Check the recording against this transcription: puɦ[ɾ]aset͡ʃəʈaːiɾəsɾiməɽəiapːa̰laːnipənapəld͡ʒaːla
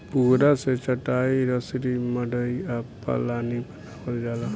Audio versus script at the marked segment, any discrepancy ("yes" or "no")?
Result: no